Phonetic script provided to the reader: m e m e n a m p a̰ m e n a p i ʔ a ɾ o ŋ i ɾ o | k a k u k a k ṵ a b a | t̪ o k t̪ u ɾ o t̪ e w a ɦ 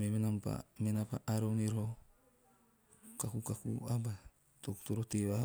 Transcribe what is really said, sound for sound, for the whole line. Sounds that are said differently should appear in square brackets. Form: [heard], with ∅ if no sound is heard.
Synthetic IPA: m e m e n a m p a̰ m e n a p [a] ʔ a ɾ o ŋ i ɾ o | k a k u k a k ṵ a b a | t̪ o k t̪ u ɾ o t̪ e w a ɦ

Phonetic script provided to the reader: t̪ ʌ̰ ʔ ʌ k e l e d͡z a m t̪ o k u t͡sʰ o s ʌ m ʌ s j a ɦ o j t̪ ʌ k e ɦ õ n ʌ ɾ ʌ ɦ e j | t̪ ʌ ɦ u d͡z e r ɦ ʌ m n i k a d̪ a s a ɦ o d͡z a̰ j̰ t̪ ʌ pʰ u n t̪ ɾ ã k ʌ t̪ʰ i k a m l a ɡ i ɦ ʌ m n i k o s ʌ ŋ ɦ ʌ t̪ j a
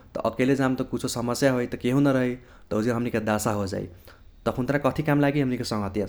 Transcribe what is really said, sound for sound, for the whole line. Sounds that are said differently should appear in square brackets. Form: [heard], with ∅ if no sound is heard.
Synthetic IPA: t̪ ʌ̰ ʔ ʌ k e l e d͡z a m t̪ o k u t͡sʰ o s ʌ m ʌ s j a ɦ o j t̪ ʌ k e ɦ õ n ʌ ɾ ʌ ɦ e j | t̪ ʌ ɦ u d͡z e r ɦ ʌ m n i k a d̪ a s a ɦ o d͡z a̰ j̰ t̪ ʌ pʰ u n t̪ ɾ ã k ʌ t̪ʰ i k a m l a ɡ i ɦ ʌ m n i k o s ʌ ŋ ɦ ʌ t̪ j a

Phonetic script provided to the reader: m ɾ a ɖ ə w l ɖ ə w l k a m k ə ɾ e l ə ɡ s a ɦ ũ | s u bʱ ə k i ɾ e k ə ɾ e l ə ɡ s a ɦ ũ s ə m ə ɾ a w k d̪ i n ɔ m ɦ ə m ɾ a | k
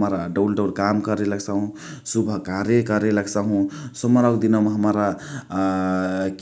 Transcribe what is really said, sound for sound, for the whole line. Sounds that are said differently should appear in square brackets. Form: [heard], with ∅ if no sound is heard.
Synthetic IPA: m ɾ a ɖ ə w l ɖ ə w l k a m k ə ɾ e l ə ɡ s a ɦ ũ | s u bʱ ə k [a] ɾ e k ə ɾ e l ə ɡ s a ɦ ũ s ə m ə ɾ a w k d̪ i n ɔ m ɦ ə m ɾ a | k

